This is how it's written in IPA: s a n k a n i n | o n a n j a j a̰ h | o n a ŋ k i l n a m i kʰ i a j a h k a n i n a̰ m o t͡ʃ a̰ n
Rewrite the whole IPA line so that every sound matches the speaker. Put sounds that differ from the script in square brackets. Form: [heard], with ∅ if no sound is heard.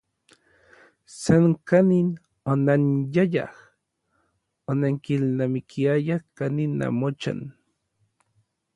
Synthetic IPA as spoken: s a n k a n i n | o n a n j a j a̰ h | o n a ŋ k i l n a m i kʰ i a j a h k a n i n a̰ m o t͡ʃ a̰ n

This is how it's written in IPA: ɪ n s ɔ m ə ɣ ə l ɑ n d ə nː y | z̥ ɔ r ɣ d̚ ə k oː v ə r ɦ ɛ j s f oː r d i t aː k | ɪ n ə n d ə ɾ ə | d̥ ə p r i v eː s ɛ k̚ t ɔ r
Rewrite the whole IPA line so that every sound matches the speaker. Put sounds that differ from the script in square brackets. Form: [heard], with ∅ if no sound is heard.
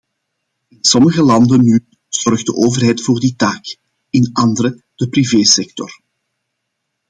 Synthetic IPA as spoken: ɪ n s ɔ m ə ɣ ə l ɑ n d ə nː y | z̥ ɔ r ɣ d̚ ə [ʔ] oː v ə r ɦ ɛ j [t] f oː r d i t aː k | ɪ n [ɑ] n d ə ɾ ə | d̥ ə p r i v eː s ɛ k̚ t ɔ r

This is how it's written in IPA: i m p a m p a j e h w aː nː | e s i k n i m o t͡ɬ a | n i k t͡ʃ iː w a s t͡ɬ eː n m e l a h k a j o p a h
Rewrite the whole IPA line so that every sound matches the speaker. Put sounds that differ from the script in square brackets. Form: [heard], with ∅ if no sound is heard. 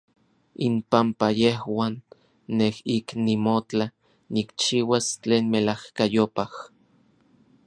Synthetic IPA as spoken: i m p a m p a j e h w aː nː | e [h] i k n i m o t͡ɬ a | n i k t͡ʃ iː w a s t͡ɬ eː n m e l a h k a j o p a h

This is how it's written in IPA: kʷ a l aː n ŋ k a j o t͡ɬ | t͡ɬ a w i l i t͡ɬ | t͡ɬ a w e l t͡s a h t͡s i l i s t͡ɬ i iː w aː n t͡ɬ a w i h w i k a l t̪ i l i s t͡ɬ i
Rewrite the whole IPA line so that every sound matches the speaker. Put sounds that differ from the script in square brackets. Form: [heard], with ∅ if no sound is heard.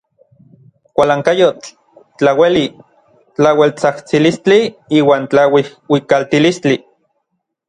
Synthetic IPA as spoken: kʷ a l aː [∅] ŋ k a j o t͡ɬ | t͡ɬ a w [e] l i [∅] | t͡ɬ a w e l t͡s a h t͡s i l i s t͡ɬ i iː w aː n t͡ɬ a w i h w i k a l t̪ i l i s t͡ɬ i

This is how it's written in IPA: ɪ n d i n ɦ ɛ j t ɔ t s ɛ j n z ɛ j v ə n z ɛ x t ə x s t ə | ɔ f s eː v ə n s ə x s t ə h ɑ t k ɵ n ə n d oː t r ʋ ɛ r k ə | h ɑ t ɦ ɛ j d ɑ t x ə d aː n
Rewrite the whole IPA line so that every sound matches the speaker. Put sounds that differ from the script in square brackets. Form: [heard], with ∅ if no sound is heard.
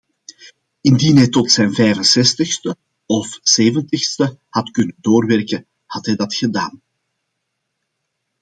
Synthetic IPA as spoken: ɪ n d i n ɦ ɛ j t ɔ t s ɛ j n [v] ɛ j v ə n [s] ɛ [s] t ə x s t ə | ɔ f s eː v ə n [t] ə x s t ə h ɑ t k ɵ n ə n d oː [∅] r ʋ ɛ r k ə | h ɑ t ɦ ɛ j d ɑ t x ə d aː n

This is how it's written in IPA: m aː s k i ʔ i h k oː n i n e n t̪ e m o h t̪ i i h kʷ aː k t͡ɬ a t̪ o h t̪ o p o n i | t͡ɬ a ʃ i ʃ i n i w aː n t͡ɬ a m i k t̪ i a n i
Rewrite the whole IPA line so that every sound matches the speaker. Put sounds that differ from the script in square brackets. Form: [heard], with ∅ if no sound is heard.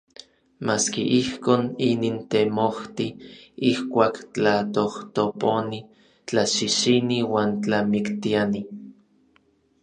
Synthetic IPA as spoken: m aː s k i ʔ i h k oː n i n [i] n t̪ e m o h t̪ i i h kʷ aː k t͡ɬ a t̪ o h t̪ o p o n i | t͡ɬ a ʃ i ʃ i n i w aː n t͡ɬ a m i k t̪ i a n i

